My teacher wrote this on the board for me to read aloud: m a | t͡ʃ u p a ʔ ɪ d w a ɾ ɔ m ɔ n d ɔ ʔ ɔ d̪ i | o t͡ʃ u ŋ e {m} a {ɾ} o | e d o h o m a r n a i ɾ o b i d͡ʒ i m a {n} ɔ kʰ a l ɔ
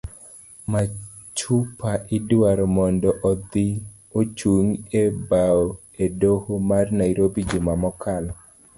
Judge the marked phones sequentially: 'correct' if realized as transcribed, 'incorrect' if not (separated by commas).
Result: incorrect, incorrect, incorrect